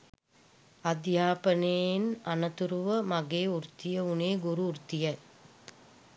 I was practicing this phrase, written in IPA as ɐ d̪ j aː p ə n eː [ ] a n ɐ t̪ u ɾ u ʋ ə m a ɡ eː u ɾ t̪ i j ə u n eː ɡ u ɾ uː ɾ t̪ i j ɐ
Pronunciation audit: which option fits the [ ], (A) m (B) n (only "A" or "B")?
B